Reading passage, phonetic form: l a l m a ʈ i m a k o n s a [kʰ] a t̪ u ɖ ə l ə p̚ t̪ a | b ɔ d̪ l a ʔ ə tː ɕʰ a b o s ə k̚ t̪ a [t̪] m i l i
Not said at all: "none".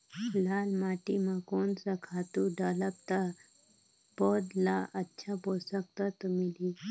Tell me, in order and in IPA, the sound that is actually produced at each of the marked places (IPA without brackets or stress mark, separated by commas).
kʰ, t̪